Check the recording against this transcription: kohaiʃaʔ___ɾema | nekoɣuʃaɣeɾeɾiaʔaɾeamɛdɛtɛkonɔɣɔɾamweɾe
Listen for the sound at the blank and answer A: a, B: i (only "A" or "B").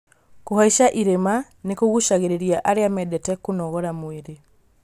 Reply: B